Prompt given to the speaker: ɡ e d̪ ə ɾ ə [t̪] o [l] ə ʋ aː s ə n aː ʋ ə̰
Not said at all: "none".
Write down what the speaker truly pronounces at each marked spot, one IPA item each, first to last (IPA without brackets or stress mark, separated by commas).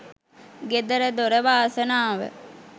d̪, ɾ